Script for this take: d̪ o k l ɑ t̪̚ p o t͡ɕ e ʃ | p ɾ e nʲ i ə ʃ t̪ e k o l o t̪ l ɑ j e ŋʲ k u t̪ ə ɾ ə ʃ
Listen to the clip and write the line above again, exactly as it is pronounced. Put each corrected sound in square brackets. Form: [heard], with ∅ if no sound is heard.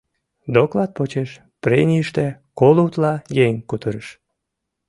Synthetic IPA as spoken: d̪ o k l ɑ t̪̚ p o t͡ɕ e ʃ | p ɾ e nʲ i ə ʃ t̪ e k o l [u] t̪ l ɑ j e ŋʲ k u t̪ ə ɾ ə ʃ